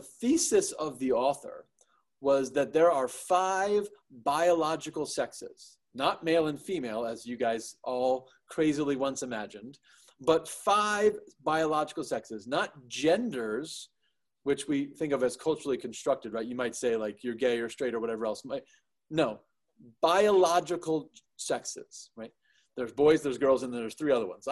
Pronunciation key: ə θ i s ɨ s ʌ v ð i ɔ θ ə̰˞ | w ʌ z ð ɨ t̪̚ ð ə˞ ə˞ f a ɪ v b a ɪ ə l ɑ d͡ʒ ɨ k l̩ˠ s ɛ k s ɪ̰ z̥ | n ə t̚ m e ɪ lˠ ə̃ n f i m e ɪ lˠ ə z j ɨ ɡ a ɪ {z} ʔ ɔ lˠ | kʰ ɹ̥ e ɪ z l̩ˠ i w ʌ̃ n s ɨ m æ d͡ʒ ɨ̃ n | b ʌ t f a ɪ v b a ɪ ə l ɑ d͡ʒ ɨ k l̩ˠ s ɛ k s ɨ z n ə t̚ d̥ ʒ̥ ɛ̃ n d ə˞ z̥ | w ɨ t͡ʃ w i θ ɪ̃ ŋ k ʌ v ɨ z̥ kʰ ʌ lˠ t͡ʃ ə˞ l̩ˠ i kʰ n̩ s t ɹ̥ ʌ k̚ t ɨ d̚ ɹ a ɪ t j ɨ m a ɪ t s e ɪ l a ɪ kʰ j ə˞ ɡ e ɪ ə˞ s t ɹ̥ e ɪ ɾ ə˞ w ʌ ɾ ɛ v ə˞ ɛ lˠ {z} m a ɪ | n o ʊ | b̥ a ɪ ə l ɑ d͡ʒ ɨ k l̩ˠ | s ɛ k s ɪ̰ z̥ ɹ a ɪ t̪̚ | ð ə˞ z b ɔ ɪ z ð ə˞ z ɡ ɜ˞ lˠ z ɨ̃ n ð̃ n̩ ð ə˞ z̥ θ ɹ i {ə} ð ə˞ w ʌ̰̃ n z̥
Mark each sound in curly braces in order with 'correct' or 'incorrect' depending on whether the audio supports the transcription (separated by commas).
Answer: correct, incorrect, incorrect